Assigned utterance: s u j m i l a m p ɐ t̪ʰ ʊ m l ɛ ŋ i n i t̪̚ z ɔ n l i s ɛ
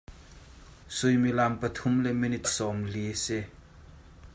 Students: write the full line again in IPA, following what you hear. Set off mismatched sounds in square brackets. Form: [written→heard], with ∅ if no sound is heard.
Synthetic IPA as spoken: s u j m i l a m p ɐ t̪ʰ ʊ m l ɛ [ŋ→m] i n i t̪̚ [z→s] ɔ [n→m] l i s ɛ